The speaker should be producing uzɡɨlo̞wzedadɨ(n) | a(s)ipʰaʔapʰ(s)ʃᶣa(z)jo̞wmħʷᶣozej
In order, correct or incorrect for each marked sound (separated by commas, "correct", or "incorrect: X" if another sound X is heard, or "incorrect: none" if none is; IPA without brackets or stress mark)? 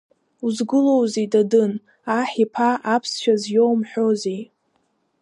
correct, incorrect: ħ, correct, correct